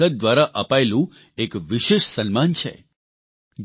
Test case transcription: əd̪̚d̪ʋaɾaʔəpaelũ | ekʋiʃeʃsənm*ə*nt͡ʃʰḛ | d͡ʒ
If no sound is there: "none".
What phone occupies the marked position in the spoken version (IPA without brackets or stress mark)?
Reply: a